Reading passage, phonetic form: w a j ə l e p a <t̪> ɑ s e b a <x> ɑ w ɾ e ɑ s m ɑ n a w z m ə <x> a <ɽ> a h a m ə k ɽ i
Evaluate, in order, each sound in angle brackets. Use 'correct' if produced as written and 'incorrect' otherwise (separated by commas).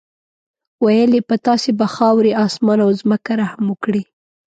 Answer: correct, correct, incorrect, incorrect